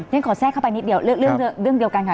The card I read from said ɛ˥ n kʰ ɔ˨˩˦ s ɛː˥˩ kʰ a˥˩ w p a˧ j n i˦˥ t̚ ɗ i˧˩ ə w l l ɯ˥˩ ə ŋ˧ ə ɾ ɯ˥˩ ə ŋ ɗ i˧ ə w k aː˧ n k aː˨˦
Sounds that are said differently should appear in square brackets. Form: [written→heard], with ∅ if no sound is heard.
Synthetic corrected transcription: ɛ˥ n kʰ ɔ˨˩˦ s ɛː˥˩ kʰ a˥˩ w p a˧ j n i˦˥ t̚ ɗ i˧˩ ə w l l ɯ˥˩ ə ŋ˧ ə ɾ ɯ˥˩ ə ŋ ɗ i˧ ə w k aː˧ n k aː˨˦